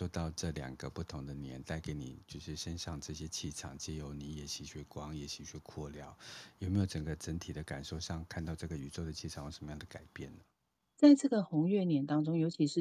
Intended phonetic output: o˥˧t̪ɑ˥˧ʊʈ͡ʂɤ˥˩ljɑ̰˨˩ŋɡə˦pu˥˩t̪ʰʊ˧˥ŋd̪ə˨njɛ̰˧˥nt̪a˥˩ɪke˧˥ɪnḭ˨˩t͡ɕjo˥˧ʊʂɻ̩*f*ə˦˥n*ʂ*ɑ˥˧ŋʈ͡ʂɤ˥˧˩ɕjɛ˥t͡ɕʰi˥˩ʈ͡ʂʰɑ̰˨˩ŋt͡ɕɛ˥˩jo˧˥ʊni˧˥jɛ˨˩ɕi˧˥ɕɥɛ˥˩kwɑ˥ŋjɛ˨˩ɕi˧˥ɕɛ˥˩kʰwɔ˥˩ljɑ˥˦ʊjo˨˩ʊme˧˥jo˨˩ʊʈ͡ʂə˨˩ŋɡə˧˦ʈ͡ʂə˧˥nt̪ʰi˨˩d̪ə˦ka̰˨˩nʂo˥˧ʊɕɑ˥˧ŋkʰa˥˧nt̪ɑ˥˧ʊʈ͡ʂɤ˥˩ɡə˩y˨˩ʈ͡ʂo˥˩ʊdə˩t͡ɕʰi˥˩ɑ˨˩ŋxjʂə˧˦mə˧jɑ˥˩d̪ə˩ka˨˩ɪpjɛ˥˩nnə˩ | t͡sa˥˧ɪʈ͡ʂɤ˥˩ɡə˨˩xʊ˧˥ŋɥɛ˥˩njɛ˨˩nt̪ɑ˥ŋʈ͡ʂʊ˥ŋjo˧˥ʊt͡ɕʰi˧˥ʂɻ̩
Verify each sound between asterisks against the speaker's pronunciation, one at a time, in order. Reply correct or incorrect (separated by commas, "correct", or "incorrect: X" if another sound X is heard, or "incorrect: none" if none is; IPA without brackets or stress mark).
incorrect: ʂ, correct